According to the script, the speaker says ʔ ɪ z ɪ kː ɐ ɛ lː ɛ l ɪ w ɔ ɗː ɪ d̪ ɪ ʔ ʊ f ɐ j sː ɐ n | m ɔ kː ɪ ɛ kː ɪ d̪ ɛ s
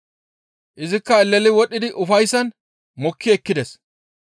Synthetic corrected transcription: ʔ ɪ z ɪ kː ɐ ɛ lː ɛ l ɪ w ɔ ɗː ɪ d̪ ɪ ʔ ʊ f ɐ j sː ɐ n | m ɔ kː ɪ ɛ kː ɪ d̪ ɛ s